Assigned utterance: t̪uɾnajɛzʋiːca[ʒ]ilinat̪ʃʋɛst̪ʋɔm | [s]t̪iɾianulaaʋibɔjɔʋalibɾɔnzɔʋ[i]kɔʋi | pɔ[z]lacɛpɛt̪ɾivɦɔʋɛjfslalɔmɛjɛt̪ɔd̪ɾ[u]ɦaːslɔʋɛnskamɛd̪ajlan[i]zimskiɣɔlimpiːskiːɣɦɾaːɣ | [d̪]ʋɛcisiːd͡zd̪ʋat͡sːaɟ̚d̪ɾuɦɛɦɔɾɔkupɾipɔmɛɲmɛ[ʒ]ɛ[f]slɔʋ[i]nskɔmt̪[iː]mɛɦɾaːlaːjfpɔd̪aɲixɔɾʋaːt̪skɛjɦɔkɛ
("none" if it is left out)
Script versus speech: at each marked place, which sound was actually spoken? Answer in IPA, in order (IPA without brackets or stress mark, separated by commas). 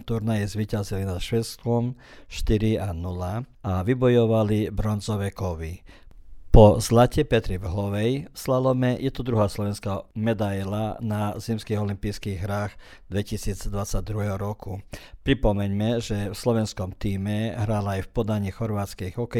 z, ʃ, ɛ, z, u, a, d̪, ʒ, f, ɛ, iː